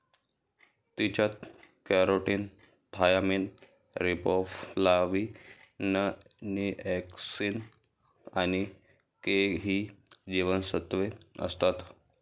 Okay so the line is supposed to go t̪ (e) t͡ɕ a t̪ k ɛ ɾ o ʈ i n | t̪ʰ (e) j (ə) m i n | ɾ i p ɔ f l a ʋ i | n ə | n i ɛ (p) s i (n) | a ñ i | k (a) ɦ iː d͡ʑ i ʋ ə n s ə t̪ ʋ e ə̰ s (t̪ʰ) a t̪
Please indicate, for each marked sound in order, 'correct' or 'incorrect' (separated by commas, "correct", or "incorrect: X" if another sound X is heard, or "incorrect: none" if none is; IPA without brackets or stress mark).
incorrect: i, incorrect: a, incorrect: a, incorrect: k, correct, incorrect: e, incorrect: t̪